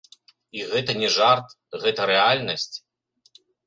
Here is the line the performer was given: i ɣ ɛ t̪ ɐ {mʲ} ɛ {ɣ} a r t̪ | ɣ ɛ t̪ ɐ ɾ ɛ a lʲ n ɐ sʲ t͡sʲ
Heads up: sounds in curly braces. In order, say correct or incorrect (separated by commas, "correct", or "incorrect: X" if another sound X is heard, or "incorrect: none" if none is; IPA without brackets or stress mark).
incorrect: nʲ, incorrect: ʐ